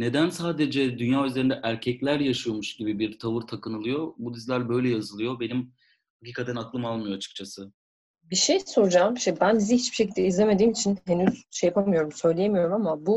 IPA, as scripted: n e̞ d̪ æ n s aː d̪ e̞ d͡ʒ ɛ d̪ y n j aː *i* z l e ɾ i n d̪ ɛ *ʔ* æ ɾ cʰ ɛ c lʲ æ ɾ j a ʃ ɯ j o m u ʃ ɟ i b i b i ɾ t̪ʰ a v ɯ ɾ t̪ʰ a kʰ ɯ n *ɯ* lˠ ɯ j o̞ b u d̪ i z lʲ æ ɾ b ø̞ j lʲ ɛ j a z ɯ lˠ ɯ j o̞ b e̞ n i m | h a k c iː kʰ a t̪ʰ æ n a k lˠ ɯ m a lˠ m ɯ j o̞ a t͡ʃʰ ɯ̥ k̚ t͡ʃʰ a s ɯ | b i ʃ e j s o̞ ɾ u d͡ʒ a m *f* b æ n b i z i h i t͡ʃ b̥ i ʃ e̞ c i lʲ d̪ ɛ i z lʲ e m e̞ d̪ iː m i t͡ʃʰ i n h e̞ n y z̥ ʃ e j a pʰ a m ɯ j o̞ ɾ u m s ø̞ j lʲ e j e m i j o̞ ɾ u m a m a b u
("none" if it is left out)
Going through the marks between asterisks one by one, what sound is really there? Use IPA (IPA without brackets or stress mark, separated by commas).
y, ʔ, ɯ, ʃ